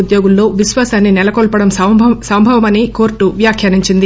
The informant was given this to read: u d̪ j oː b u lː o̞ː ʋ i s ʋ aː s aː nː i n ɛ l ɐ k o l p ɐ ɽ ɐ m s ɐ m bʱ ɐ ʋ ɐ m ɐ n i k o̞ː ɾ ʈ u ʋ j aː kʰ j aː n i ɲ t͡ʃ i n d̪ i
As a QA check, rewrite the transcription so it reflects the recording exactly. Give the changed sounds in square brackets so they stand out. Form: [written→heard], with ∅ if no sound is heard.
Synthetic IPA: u d̪ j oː [b→ɡ] u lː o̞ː ʋ i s ʋ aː s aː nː i n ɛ l ɐ k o l p ɐ ɽ ɐ m s ɐ m bʱ ɐ ʋ ɐ m ɐ n i k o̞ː ɾ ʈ u ʋ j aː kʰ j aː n i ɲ t͡ʃ i n d̪ i